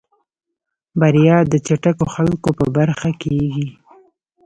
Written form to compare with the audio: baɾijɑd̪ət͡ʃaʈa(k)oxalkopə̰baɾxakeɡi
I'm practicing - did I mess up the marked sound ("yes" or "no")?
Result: no